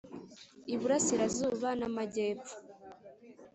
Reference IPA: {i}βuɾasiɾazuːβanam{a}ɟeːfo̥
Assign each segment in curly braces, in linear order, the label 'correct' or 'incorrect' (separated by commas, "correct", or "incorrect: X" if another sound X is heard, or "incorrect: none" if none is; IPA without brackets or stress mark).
correct, correct